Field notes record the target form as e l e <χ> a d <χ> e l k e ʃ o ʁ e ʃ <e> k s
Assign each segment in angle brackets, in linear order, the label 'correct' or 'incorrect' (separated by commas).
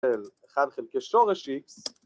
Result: correct, correct, incorrect